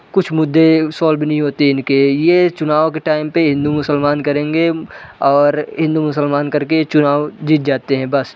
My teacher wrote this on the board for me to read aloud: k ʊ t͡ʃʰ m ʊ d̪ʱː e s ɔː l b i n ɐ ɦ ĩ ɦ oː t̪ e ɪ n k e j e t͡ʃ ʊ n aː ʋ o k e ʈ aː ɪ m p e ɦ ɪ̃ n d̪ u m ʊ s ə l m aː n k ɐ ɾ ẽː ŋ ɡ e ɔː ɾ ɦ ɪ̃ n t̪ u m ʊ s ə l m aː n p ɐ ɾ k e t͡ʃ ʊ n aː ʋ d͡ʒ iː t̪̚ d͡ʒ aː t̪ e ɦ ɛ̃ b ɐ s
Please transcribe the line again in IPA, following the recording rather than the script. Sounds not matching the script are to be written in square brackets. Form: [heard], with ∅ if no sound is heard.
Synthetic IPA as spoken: k ʊ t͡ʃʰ m ʊ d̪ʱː e s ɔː l b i n ɐ ɦ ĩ ɦ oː t̪ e ɪ n k e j e t͡ʃ ʊ n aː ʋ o k e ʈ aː ɪ m p e ɦ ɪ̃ n d̪ u m ʊ s ə l m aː n k ɐ ɾ ẽː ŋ ɡ e ɔː ɾ ɦ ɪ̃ n [d̪] u m ʊ s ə l m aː n [k] ɐ ɾ k e t͡ʃ ʊ n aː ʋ d͡ʒ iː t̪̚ d͡ʒ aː t̪ e ɦ ɛ̃ b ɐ s